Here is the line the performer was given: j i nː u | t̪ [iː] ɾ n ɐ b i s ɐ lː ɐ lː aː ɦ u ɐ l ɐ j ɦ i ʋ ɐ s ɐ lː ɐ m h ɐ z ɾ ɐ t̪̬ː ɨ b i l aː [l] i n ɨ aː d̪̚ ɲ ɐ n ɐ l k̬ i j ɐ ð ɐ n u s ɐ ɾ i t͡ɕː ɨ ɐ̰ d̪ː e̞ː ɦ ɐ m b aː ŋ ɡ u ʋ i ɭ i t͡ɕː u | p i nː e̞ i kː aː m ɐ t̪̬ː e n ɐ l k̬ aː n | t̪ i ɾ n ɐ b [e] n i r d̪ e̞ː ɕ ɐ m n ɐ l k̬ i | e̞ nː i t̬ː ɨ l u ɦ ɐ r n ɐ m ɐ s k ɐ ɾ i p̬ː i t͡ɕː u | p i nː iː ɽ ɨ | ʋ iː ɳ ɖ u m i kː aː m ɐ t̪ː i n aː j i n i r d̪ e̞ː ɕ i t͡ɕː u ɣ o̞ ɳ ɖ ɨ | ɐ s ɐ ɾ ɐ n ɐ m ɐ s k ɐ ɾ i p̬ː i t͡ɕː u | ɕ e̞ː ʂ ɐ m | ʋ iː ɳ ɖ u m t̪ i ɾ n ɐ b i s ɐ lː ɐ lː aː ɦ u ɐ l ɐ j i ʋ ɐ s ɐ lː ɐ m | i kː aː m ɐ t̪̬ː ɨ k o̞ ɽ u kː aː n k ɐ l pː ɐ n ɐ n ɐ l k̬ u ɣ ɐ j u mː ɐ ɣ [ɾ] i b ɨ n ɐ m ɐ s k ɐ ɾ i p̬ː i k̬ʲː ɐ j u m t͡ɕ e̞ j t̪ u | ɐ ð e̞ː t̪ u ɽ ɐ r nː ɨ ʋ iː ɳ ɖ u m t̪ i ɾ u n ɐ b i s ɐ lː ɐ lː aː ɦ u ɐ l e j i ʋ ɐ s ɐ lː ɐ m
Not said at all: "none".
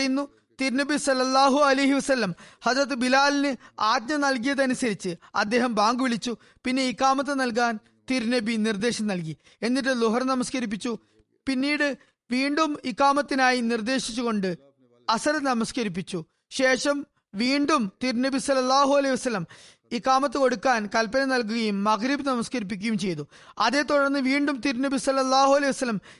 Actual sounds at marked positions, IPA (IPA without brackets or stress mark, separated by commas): i, l, i, ɾ